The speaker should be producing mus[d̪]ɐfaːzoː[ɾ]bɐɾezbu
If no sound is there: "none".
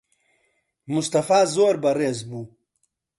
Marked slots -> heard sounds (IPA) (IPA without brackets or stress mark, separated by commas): t̪, ɾ